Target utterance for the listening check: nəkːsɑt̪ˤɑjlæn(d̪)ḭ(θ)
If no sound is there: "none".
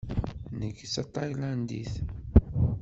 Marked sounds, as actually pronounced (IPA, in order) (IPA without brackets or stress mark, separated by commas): d̪, θ